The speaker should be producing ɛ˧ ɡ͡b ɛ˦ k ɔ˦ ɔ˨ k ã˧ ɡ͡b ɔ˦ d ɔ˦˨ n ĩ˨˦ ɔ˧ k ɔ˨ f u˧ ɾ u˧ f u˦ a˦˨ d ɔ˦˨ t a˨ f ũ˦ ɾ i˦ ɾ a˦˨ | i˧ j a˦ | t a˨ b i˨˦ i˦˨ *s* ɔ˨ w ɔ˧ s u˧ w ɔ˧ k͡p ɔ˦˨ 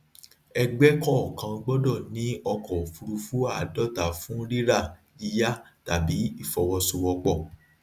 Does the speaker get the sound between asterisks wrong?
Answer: yes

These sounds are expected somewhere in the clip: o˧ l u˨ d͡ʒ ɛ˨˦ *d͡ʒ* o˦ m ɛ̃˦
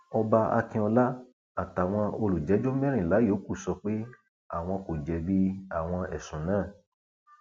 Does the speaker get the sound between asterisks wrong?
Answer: no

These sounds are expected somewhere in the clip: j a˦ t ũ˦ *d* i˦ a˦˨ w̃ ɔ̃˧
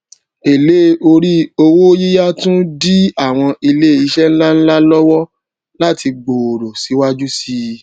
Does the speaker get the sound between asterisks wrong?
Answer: no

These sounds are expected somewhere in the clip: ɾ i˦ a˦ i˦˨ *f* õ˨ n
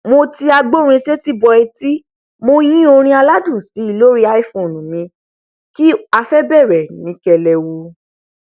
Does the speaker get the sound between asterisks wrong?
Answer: no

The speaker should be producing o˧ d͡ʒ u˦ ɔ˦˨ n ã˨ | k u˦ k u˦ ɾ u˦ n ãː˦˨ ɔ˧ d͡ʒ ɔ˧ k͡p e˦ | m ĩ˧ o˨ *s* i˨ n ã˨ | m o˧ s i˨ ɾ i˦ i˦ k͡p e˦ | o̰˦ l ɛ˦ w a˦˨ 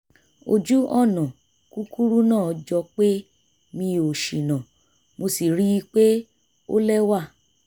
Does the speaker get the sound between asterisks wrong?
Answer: yes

